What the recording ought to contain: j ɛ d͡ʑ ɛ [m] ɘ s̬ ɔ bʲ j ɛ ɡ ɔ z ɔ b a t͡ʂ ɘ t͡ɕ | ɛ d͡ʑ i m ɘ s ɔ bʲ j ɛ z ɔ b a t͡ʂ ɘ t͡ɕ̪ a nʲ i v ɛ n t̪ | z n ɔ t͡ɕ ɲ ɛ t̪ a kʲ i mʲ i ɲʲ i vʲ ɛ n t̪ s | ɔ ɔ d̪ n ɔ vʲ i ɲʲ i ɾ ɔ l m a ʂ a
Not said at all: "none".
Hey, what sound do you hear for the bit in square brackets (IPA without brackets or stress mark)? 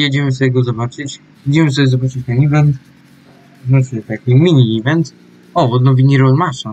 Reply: m